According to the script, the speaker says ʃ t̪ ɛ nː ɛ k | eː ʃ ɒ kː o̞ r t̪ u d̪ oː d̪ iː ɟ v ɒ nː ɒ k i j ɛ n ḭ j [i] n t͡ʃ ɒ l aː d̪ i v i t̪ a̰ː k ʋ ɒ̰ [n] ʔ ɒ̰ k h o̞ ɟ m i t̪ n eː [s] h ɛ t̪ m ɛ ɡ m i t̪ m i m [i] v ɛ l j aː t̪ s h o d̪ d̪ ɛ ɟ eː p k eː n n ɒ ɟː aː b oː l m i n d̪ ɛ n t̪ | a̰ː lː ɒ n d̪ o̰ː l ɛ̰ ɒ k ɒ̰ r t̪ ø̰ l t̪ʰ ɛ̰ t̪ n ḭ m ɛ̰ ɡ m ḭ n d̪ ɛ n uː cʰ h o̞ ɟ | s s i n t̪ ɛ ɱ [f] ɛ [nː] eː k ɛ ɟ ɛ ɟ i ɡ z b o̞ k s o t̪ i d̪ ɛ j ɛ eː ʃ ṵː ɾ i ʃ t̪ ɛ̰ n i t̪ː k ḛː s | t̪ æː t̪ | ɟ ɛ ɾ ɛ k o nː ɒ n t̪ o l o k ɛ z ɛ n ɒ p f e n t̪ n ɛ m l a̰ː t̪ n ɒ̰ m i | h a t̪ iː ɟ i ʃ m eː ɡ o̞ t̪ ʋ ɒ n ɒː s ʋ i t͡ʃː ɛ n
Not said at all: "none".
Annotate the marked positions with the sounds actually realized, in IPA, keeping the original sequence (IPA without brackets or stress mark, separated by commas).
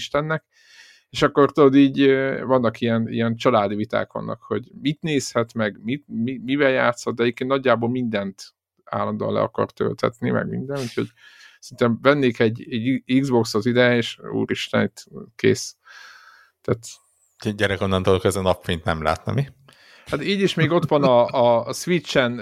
ɛ, nː, s, i, v, nː